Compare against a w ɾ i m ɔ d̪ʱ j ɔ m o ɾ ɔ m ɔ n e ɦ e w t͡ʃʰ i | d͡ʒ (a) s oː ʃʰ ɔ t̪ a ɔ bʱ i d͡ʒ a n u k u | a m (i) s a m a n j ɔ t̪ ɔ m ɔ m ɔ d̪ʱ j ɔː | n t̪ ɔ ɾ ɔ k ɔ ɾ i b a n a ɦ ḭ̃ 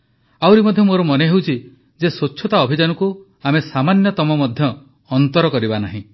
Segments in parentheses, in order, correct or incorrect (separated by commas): incorrect, incorrect